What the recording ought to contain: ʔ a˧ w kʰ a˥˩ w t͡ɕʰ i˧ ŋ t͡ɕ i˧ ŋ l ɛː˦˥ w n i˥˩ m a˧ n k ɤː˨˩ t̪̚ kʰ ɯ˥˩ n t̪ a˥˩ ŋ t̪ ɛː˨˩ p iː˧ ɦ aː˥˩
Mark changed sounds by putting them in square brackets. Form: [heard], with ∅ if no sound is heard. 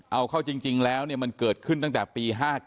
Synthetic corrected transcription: ʔ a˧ w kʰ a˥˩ w [t͡ɕ] i˧ ŋ t͡ɕ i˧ ŋ l ɛː˦˥ w n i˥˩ m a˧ n k ɤː˨˩ t̪̚ kʰ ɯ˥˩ n t̪ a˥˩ ŋ t̪ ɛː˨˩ p iː˧ ɦ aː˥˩